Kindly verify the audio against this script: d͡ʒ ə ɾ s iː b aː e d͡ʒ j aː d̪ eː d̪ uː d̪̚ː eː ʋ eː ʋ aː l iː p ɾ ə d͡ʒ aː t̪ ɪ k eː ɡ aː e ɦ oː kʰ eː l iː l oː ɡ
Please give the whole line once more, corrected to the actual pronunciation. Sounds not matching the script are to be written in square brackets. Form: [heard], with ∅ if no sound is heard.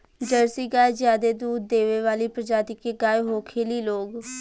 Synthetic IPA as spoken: d͡ʒ ə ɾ s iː [ɡ] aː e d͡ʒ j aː d̪ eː d̪ uː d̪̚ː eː ʋ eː ʋ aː l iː p ɾ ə d͡ʒ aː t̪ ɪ k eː ɡ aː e ɦ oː kʰ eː l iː l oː ɡ